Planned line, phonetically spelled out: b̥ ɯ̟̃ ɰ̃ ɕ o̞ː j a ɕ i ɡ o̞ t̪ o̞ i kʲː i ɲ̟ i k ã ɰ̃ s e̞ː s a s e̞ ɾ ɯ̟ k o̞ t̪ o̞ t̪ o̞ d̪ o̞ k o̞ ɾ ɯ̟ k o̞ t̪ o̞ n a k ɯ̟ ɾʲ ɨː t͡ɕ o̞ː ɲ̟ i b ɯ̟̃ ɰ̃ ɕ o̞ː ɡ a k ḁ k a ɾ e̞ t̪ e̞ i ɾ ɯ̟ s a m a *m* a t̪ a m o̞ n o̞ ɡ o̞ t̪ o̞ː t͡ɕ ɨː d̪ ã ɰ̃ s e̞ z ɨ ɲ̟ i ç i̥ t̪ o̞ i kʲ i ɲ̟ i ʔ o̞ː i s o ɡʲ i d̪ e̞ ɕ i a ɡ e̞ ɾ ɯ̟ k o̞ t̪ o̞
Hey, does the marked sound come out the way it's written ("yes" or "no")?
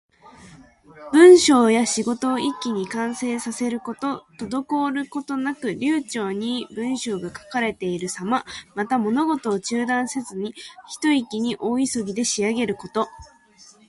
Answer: yes